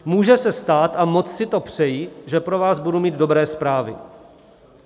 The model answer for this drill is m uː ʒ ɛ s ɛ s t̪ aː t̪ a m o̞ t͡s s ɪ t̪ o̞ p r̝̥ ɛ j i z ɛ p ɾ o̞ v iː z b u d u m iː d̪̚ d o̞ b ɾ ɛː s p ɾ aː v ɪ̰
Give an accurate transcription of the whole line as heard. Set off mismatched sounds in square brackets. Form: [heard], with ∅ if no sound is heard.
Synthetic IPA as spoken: m uː ʒ ɛ s ɛ s t̪ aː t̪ a m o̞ t͡s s ɪ t̪ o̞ p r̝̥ ɛ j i [ʒ] ɛ p ɾ o̞ v [aː] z b u d u m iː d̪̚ d o̞ b ɾ ɛː s p ɾ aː v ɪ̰